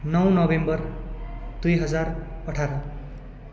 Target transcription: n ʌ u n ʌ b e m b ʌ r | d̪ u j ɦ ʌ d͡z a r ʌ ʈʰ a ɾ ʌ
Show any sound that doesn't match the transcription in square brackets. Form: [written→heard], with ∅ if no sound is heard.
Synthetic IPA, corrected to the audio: n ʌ [u→w] n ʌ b e m b ʌ r | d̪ u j ɦ ʌ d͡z a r ʌ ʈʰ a ɾ ʌ

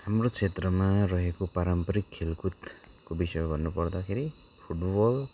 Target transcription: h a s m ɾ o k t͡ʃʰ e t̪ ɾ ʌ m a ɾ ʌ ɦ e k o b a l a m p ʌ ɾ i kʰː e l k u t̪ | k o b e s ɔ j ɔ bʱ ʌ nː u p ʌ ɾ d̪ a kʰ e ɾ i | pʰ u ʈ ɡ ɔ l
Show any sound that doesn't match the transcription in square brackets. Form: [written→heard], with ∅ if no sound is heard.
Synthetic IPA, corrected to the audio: h a [s→∅] m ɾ o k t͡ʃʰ e t̪ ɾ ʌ m a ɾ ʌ ɦ e k o [b→p] a [l→ɾ] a m p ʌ ɾ i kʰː e l k u t̪ | k o b [e→i] s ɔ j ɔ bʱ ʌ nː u p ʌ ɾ d̪ a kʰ e ɾ i | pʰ u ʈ [ɡ→b] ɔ l

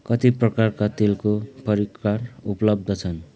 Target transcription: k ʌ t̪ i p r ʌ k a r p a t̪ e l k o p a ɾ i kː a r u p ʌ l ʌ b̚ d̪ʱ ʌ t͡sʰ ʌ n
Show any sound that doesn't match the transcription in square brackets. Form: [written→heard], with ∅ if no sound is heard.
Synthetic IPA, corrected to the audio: k ʌ t̪ i p r ʌ k a r [p→k] a t̪ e l k o p [a→ʌ] ɾ i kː a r u p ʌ l ʌ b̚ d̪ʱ ʌ t͡sʰ ʌ n

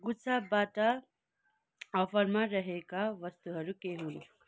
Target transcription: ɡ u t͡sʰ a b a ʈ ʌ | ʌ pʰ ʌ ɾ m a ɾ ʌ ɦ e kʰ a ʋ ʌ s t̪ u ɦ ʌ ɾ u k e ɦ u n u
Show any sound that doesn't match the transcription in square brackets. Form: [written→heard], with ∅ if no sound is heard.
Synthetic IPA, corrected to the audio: ɡ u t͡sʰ a b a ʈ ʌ | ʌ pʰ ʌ ɾ m a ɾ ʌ ɦ e [kʰ→k] a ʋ ʌ s t̪ u ɦ ʌ ɾ u k e ɦ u n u

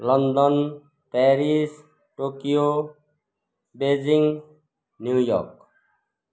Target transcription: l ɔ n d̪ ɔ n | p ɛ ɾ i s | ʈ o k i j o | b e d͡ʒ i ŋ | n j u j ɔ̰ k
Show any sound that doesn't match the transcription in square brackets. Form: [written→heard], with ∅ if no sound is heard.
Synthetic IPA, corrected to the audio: l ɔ n d̪ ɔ n | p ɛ ɾ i s | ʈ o k i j o | b e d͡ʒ i ŋ | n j u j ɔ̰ k

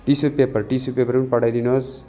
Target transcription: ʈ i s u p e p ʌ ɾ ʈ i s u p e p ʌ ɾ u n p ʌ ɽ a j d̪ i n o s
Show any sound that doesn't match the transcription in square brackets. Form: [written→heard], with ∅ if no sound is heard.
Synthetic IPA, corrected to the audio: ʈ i s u p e p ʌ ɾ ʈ i s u p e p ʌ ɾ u n p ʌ ɽ a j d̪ i n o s

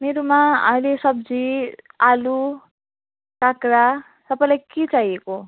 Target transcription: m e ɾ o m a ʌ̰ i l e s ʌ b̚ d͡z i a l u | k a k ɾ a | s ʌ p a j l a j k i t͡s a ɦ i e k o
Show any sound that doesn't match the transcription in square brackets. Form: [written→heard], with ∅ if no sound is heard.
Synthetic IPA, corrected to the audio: m e ɾ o m a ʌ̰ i l e s ʌ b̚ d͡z i a l u | k a k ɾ a | s ʌ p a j l a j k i t͡s a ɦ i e k o

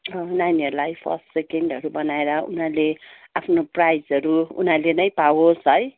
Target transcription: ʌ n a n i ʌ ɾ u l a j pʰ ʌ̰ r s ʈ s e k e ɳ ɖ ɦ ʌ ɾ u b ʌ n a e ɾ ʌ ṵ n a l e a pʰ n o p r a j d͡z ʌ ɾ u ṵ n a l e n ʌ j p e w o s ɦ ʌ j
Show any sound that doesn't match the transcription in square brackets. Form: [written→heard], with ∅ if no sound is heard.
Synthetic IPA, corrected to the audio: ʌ n a n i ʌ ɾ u l a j pʰ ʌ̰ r s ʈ s e k e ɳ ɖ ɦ ʌ ɾ u b ʌ n a e ɾ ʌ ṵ n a l e a pʰ n o p r a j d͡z ʌ ɾ u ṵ n a l e n ʌ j p [e→a] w o s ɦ ʌ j

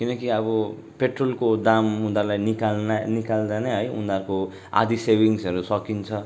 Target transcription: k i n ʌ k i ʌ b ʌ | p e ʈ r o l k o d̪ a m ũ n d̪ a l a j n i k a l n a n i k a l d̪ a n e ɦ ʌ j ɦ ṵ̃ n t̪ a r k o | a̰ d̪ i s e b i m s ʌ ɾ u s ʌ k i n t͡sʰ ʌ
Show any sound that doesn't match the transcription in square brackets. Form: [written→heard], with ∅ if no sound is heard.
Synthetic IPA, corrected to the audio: k i n ʌ k i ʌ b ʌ | p e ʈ r o l k o d̪ a m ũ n d̪ a l a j n i k a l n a n i k a l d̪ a n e ɦ ʌ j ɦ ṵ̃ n [t̪→d̪] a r k o | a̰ d̪ i s e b i [m→ŋ] s ʌ ɾ u s ʌ k i n t͡sʰ ʌ

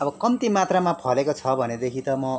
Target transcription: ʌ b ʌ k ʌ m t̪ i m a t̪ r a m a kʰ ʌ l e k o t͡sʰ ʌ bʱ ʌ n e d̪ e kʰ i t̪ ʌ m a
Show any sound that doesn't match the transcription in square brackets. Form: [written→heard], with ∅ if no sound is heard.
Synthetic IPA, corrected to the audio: ʌ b ʌ k ʌ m t̪ i m a t̪ r a m a [kʰ→pʰ] ʌ l e k o t͡sʰ ʌ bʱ ʌ n e d̪ e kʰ i t̪ ʌ m [a→ʌ]

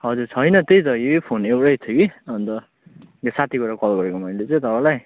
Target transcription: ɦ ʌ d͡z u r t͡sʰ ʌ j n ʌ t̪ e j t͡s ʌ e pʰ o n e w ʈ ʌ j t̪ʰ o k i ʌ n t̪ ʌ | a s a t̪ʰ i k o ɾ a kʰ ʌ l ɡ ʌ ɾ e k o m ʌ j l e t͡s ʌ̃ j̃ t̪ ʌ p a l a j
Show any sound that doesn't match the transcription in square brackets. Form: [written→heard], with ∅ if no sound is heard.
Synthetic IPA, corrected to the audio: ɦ ʌ d͡z u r t͡sʰ ʌ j n ʌ t̪ e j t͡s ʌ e pʰ o n e w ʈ ʌ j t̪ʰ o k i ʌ n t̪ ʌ | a s a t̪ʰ i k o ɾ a [kʰ→k] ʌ l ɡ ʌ ɾ e k o m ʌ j l e t͡s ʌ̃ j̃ t̪ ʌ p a l a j

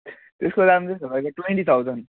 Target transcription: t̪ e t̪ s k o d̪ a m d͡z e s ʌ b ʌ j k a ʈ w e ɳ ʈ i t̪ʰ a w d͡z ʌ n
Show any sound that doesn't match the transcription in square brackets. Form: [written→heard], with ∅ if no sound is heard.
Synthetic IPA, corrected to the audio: t̪ e [t̪→∅] s k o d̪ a m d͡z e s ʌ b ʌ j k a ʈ w e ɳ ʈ i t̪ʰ a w d͡z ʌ n

